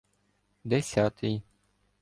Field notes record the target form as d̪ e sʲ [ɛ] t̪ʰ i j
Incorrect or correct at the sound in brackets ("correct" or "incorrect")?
incorrect